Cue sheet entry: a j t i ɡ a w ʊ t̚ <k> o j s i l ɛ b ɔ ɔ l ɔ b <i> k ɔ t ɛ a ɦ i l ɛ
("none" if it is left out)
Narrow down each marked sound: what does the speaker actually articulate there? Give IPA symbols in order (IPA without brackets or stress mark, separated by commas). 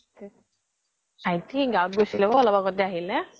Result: ɡ, a